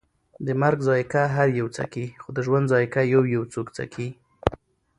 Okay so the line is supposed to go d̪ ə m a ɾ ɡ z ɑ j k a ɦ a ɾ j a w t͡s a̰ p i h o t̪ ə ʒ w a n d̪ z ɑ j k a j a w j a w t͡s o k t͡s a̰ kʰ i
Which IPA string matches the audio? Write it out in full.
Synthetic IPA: d̪ ə m a ɾ ɡ z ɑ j k a ɦ a ɾ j a w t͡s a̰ k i x o d̪ ə ʒ w a n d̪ z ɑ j k a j a w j a w t͡s o k t͡s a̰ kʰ i